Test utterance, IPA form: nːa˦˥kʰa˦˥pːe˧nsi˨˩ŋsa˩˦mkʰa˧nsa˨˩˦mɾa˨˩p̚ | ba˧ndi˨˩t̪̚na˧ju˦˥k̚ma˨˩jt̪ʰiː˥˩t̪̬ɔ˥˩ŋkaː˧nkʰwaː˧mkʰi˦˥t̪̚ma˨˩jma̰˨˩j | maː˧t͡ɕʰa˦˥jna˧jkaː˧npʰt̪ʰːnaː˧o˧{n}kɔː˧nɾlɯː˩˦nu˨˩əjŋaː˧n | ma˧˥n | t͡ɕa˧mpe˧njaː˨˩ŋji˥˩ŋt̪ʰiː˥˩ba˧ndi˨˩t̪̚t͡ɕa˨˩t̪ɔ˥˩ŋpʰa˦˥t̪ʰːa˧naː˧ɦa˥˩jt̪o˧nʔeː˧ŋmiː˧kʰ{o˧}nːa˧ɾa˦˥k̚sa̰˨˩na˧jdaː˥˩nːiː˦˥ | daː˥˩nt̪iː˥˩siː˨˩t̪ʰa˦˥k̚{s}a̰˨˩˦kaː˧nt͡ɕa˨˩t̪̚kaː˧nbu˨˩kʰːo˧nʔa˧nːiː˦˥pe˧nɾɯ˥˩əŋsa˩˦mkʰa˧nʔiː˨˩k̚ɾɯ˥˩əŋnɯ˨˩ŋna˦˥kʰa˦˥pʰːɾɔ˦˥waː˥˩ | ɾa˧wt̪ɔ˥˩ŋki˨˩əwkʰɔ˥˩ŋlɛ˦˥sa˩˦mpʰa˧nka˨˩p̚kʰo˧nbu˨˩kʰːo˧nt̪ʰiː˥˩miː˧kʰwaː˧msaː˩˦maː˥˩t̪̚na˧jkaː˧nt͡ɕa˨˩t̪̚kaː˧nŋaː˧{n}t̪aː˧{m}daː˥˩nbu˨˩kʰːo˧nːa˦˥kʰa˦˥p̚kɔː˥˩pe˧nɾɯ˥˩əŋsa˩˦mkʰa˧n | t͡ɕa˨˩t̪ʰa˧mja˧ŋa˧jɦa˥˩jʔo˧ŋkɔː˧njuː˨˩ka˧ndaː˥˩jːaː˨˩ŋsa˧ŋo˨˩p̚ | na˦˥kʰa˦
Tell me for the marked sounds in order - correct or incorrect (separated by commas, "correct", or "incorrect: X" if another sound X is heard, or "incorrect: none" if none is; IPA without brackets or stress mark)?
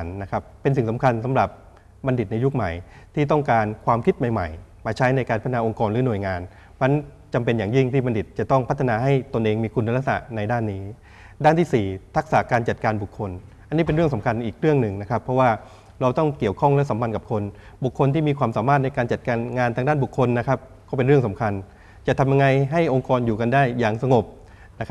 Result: incorrect: ŋ, incorrect: u˧, correct, correct, incorrect: ŋ